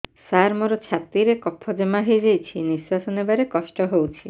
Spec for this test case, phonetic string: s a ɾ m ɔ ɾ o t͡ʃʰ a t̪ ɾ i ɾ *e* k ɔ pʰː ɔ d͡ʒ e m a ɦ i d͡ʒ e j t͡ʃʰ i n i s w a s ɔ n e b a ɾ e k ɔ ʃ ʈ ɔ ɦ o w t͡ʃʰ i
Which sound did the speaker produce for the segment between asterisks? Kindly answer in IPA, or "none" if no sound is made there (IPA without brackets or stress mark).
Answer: e